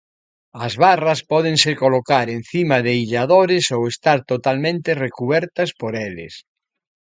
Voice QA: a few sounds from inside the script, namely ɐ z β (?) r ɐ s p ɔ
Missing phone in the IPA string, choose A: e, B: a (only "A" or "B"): B